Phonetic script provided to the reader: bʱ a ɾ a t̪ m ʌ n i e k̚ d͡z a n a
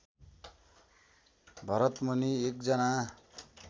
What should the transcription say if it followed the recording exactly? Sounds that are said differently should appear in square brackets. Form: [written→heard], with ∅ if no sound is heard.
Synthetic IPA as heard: bʱ [a→ʌ] ɾ [a→ʌ] t̪ m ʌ n i e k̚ d͡z [a→ʌ] n a